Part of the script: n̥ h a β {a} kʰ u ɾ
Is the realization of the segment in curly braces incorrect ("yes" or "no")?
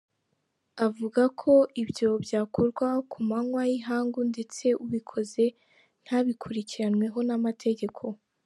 yes